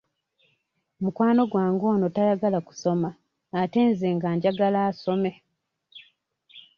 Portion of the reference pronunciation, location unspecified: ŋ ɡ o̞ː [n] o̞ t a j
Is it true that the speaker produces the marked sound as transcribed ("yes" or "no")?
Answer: yes